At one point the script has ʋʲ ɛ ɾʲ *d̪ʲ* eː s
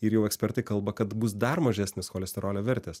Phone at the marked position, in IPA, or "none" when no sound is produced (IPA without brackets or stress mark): t̪ʲ